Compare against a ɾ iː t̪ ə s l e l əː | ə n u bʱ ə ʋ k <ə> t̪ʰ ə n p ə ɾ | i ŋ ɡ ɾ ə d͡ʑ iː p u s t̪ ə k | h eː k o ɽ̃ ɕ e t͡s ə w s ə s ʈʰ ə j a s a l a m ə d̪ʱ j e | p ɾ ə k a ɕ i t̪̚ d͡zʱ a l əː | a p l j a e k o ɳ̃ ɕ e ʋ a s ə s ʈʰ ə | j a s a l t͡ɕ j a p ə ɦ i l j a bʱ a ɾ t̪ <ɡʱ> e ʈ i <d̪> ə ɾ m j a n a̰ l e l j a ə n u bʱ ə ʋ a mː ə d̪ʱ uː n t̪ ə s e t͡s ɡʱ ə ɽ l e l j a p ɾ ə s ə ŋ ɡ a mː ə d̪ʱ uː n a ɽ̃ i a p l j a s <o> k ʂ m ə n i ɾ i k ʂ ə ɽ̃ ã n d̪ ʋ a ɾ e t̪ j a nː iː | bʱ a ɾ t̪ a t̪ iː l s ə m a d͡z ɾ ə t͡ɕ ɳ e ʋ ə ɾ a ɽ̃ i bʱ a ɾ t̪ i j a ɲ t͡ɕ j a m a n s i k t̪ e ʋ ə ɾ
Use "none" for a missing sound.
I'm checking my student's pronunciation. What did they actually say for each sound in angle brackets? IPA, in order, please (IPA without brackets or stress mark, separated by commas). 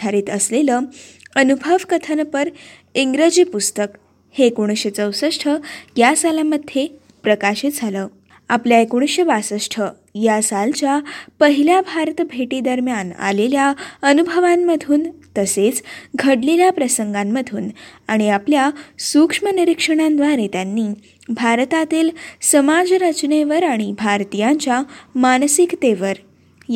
ə, bʱ, d̪, u